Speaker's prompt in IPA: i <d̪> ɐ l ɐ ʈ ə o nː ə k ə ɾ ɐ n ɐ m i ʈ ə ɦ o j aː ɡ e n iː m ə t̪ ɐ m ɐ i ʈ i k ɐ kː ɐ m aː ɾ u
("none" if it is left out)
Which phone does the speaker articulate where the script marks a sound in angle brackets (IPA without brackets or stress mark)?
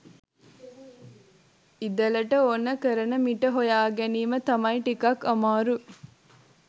d̪